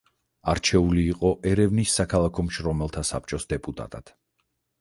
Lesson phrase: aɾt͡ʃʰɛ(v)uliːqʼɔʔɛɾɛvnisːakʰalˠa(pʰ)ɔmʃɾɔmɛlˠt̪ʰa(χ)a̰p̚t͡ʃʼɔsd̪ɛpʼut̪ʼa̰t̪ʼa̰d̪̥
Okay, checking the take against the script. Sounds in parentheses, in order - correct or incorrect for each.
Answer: incorrect, incorrect, incorrect

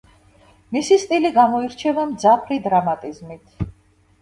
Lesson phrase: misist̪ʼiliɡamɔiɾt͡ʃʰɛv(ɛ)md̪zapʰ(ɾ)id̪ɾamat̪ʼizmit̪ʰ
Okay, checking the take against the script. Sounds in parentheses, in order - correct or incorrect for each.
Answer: incorrect, correct

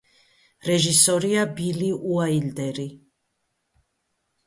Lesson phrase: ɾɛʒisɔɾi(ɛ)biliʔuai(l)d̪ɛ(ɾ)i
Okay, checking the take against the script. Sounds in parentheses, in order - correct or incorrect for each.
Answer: incorrect, correct, correct

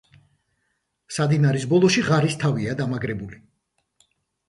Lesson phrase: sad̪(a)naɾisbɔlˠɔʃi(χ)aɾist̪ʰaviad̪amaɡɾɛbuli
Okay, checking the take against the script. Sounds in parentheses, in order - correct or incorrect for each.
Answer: incorrect, incorrect

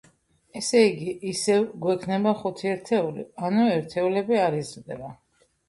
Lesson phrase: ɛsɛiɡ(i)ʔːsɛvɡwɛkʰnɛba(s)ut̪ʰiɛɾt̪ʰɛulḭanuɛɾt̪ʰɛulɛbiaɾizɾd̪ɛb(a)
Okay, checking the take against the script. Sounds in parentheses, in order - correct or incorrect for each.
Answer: correct, incorrect, correct

